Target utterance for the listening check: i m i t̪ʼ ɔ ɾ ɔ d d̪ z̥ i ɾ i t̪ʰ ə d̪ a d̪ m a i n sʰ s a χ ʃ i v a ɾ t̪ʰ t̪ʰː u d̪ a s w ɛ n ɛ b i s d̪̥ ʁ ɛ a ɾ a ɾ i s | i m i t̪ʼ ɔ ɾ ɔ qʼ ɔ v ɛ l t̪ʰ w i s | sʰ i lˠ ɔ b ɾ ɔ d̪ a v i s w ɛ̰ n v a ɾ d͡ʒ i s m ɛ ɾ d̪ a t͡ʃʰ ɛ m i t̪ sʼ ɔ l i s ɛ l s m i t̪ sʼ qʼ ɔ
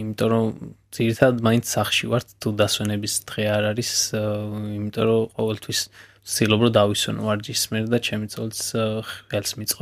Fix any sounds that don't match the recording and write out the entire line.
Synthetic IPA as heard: i m i t̪ʼ ɔ ɾ ɔ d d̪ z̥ i ɾ i t̪ʰ a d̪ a d̪ m a i n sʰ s a χ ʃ i v a ɾ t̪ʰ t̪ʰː u d̪ a s w ɛ n ɛ b i s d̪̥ ʁ ɛ a ɾ a ɾ i s | i m i t̪ʼ ɔ ɾ ɔ qʼ ɔ v ɛ l t̪ʰ w i s | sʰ i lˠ ɔ b ɾ ɔ d̪ a v i s w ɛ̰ n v a ɾ d͡ʒ i s m ɛ ɾ d̪ a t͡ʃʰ ɛ m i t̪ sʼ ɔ l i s ɛ l s m i t̪ sʼ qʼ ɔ